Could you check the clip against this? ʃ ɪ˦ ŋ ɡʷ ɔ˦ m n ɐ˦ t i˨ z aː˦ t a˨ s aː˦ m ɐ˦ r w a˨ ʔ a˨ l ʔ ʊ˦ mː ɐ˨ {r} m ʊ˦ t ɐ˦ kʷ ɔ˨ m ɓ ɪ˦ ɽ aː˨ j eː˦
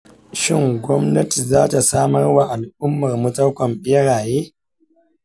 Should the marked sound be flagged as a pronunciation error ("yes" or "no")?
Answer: no